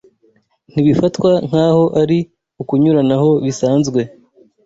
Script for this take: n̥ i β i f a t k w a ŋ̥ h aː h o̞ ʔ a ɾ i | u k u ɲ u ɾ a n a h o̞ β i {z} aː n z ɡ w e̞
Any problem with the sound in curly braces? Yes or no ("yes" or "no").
yes